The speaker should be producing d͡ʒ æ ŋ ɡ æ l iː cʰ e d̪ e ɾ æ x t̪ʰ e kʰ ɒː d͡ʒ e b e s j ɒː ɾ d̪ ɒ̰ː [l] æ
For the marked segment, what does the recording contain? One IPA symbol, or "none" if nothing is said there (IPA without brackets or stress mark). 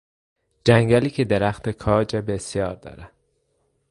ɾ